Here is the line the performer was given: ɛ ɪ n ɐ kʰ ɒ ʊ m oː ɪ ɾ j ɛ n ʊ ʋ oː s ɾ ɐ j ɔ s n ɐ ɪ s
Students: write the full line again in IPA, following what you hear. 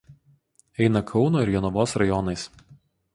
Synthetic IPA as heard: ɛ ɪ n ɐ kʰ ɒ ʊ n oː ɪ ɾ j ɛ n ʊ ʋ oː s ɾ ɐ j ɔ n ɐ ɪ s

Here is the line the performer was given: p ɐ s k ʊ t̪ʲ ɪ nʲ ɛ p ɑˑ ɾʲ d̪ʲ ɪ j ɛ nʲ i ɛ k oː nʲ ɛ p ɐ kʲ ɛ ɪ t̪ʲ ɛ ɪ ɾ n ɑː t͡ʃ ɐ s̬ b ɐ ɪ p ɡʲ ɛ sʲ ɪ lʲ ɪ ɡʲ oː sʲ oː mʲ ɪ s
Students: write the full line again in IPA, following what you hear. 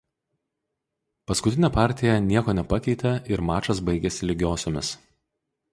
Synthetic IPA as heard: p ɐ s k ʊ t̪ʲ ɪ nʲ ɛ p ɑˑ ɾʲ t̪ʲ ɪ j ɛ nʲ i ɛ k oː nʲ ɛ p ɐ kʲ ɛ ɪ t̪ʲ ɛ ɪ ɾ m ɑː t͡ʃ ɐ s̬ b ɐ ɪ ɡʲ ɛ sʲ ɪ lʲ ɪ ɡʲ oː sʲ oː mʲ ɪ s

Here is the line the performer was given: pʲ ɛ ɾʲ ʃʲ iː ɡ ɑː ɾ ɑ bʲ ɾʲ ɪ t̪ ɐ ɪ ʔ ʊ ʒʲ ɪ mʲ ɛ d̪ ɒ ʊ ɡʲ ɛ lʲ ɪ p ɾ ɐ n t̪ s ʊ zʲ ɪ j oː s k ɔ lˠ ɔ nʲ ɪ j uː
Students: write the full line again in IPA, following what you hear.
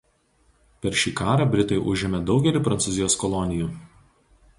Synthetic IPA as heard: pʲ ɛ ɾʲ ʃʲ iː k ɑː ɾ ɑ bʲ ɾʲ ɪ t̪ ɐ ɪ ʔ ʊ ʒʲ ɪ mʲ ɛ d̪ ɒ ʊ ɡʲ ɛ lʲ ɪ p ɾ ɐ n t̪ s ʊ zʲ ɪ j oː s k ɔ lˠ ɔ nʲ ɪ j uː

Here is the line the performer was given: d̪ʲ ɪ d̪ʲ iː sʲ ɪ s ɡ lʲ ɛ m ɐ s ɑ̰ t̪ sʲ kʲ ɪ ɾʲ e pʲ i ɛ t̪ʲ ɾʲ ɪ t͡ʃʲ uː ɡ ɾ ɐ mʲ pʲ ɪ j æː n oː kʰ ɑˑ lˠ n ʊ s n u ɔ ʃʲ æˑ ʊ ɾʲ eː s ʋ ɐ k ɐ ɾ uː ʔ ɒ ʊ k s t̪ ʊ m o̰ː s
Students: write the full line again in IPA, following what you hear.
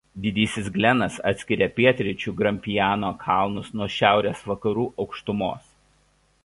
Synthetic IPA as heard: d̪ʲ ɪ d̪ʲ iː sʲ ɪ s ɡ lʲ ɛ n ɐ s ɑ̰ t̪ sʲ kʲ ɪ ɾʲ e pʲ i ɛ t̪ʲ ɾʲ ɪ t͡ʃʲ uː ɡ ɾ ɐ mʲ pʲ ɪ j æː n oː kʰ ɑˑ lˠ n ʊ s n u ɔ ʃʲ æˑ ʊ ɾʲ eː s ʋ ɐ k ɐ ɾ uː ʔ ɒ ʊ k ʃ t̪ ʊ m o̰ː s

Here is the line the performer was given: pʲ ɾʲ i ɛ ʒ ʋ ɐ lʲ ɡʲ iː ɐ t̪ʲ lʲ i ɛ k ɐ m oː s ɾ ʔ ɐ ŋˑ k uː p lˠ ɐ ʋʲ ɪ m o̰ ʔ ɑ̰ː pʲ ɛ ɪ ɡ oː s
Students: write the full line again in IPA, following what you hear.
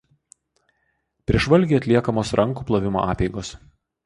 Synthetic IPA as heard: pʲ ɾʲ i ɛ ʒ ʋ ɐ lʲ ɡʲ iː ɐ t̪ʲ lʲ i ɛ k ɐ m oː s ɾ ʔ ɐ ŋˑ k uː p lˠ ɐ ʋʲ ɪ m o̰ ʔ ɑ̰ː pʲ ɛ ɪ ɡ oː s

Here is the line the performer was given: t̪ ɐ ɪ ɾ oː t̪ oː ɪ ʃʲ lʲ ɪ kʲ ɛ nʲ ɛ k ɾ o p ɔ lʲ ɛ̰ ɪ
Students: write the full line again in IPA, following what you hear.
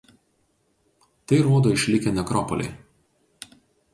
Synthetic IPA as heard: t̪ ɐ ɪ ɾ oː d̪ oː ɪ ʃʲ lʲ ɪ kʲ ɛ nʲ ɛ k ɾ ɔ p ɔ lʲ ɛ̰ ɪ

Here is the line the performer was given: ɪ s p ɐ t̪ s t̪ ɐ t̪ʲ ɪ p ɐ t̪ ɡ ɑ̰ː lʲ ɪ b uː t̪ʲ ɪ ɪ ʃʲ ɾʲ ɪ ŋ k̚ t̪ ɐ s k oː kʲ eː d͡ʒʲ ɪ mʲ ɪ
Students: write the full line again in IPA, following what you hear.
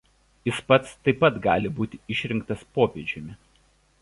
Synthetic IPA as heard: ɪ s p ɐ t̪ s t̪ ɐ ɪ p ɐ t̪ ɡ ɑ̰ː lʲ ɪ b uː t̪ʲ ɪ ɪ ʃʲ ɾʲ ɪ ŋ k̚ t̪ ɐ s p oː pʲ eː d͡ʒʲ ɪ mʲ ɪ

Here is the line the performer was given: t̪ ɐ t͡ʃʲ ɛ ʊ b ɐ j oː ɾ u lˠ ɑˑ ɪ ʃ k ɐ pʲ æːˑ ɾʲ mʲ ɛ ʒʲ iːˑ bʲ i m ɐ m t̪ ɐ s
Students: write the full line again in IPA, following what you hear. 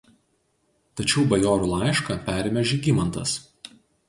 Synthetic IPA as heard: t̪ ɐ t͡ʃʲ ɛ ʊ b ɐ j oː ɾ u lˠ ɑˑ ɪ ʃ k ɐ pʲ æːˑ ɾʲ mʲ ɛ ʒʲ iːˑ ɡʲ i m ɐ n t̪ ɐ s

